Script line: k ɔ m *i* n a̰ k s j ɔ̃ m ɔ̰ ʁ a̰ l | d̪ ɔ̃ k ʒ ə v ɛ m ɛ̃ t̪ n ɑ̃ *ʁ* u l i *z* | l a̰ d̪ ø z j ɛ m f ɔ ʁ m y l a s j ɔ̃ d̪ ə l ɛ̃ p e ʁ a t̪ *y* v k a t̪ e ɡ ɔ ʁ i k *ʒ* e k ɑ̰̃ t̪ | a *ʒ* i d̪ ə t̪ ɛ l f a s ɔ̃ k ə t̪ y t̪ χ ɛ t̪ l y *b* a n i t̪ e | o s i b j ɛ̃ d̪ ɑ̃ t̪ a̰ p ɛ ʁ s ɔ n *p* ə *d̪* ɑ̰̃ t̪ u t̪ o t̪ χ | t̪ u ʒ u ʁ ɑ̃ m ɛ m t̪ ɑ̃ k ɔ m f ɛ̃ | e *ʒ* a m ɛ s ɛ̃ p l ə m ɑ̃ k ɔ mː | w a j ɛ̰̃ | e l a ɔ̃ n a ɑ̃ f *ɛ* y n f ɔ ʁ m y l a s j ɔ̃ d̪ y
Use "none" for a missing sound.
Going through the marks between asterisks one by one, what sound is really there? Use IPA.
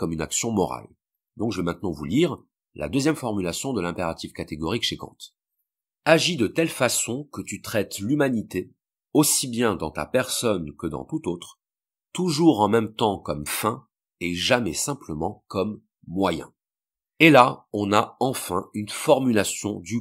y, v, ʁ, i, ʃ, ʒ, m, k, d̪, ʒ, ɛ̃

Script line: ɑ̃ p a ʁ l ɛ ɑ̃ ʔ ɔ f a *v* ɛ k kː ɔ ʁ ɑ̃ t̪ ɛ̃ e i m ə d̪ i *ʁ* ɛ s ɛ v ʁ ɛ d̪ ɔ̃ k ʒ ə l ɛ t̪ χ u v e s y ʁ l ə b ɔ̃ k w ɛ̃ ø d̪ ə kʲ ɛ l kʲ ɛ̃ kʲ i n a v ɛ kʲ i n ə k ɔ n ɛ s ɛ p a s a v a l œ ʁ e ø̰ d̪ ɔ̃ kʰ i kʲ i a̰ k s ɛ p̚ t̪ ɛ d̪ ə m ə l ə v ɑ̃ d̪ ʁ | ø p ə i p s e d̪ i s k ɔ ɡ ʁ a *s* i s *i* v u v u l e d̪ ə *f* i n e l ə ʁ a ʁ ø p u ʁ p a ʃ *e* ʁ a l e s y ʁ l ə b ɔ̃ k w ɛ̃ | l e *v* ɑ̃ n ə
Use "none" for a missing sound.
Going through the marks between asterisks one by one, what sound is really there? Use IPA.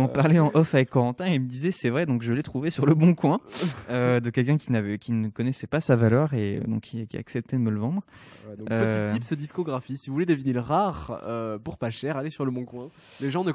v, z, f, i, v, ɛ, ʒ

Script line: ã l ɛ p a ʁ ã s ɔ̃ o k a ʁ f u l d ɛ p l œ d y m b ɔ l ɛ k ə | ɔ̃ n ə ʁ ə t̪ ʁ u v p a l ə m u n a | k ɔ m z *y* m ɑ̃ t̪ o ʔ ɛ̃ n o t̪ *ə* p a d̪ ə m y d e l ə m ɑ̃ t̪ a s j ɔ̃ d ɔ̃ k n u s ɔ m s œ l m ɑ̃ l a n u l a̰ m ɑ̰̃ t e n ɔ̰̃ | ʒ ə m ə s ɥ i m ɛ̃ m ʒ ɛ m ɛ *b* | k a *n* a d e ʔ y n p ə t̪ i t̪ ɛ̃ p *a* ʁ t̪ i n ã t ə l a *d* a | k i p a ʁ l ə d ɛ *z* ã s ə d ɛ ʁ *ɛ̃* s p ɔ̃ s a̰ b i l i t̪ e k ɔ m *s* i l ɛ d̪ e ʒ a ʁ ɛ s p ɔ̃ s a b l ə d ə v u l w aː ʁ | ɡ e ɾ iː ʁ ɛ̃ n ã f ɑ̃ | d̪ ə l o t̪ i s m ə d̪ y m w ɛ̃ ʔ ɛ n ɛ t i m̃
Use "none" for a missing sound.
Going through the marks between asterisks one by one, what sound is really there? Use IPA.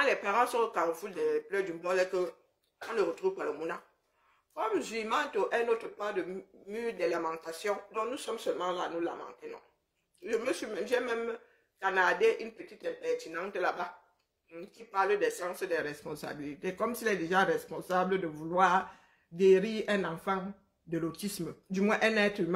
i, ə, m, n, ɛ, b, s, ɛ, s

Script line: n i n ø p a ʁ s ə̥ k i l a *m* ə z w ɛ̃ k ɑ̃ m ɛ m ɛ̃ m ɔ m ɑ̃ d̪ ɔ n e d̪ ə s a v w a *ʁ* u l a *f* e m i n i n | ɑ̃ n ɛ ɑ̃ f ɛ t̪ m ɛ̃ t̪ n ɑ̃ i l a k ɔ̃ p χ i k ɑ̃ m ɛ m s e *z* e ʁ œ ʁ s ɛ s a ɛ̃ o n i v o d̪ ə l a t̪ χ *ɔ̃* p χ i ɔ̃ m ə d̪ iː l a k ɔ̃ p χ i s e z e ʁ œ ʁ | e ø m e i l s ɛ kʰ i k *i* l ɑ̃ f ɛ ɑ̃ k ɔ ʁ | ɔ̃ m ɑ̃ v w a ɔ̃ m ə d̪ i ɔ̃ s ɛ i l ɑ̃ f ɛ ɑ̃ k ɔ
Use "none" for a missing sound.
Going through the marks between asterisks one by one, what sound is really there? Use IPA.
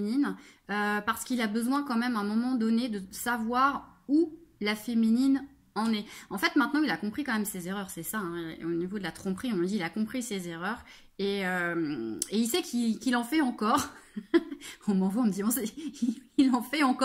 b, ʁ, f, z, ɔ̃, i

